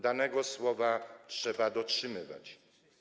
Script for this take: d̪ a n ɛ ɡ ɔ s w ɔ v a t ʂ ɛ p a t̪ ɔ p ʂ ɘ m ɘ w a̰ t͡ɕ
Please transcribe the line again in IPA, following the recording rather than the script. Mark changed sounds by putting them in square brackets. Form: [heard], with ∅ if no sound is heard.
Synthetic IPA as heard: d̪ a n ɛ ɡ ɔ s w ɔ v a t ʂ ɛ [b] a [d̪] ɔ [t] ʂ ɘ m ɘ [v] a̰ t͡ɕ